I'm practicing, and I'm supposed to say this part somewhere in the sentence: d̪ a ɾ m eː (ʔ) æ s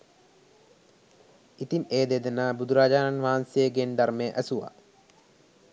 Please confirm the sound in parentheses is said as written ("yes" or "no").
yes